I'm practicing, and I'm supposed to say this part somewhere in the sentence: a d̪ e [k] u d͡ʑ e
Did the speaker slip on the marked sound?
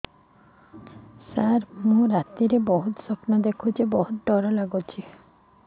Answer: yes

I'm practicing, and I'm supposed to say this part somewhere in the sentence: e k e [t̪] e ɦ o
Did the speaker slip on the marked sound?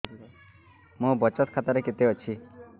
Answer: no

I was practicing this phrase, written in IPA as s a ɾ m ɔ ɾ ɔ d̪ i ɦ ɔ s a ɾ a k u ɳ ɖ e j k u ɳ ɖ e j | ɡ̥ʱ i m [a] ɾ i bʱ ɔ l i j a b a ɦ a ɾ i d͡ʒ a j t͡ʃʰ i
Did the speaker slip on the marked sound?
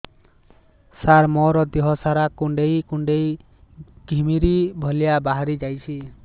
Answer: yes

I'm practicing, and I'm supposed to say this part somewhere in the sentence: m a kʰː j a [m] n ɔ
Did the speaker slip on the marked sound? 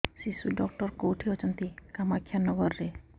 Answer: yes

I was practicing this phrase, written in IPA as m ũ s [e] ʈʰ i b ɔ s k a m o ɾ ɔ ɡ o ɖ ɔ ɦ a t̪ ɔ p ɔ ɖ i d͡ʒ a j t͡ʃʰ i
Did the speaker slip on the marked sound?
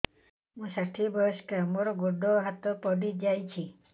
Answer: yes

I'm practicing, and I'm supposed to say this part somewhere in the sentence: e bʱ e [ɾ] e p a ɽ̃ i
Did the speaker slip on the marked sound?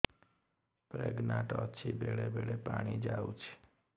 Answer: yes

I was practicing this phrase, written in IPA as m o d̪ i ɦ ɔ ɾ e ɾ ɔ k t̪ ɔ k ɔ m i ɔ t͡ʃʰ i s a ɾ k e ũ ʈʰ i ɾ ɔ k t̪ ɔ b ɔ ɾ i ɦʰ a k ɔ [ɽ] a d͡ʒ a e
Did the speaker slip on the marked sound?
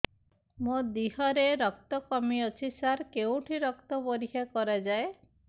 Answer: yes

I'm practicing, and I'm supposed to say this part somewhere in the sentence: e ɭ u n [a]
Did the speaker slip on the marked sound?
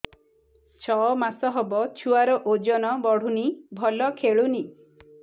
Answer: yes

